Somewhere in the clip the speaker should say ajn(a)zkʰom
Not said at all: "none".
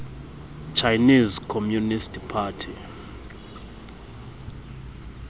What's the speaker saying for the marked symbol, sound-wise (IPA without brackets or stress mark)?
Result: i